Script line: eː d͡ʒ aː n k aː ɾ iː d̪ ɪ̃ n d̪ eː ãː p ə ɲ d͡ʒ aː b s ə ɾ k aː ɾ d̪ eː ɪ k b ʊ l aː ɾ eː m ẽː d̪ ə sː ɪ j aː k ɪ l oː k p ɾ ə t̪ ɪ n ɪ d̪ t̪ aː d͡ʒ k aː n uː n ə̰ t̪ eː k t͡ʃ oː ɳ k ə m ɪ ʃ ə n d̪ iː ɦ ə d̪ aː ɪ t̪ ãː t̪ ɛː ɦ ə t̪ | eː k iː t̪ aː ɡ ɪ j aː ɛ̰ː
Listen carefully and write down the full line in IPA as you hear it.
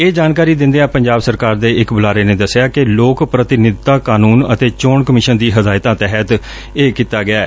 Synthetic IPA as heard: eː d͡ʒ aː n k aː ɾ iː d̪ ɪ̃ n d̪ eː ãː p ə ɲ d͡ʒ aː b s ə ɾ k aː ɾ d̪ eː ɪ k b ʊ l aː ɾ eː n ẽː d̪ ə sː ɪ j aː k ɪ l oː k p ɾ ə t̪ ɪ n ɪ d̪ t̪ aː k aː n uː n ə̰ t̪ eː t͡ʃ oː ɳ k ə m ɪ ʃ ə n d̪ iː ɦ ə d̪ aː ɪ t̪ ãː t̪ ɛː ɦ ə t̪ | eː k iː t̪ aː ɡ ɪ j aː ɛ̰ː

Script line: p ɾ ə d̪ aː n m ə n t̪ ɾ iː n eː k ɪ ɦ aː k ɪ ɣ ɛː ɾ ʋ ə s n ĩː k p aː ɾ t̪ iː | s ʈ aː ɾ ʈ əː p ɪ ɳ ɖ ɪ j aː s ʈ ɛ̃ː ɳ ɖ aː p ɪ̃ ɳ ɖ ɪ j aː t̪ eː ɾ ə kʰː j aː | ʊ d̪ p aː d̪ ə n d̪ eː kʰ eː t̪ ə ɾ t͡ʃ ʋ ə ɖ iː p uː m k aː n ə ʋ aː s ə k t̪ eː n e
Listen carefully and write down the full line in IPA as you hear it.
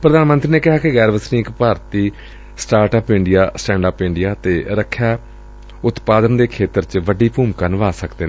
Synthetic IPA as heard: p ɾ ə d̪ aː n m ə n t̪ ɾ iː n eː k ɪ ɦ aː k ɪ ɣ ɛː ɾ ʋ ə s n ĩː k p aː ɾ t̪ iː | s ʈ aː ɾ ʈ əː p ɪ ɳ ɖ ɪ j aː s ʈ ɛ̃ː ɳ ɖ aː p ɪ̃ ɳ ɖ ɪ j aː t̪ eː ɾ ə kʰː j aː | ʊ t̪ p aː d̪ ə n d̪ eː kʰ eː t̪ ə ɾ t͡ʃ ʋ ə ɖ iː p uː m k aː n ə ʋ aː s ə k d̪ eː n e

